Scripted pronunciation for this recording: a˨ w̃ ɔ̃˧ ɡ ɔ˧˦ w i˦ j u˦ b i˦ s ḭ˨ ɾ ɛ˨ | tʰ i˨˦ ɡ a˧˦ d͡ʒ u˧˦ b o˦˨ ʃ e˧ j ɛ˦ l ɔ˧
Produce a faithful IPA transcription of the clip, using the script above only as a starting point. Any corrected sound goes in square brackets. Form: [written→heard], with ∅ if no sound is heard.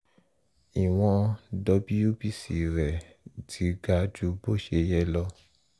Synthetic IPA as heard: [a˨→i˨] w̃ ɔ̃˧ [ɡ→d] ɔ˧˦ [w→b] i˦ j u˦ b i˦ s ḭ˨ ɾ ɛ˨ | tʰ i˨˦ ɡ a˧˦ d͡ʒ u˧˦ b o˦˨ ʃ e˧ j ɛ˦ l ɔ˧